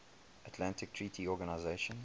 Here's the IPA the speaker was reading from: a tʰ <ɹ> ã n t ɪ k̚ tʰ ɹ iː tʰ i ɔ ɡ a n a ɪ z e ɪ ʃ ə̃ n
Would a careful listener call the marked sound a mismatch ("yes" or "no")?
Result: yes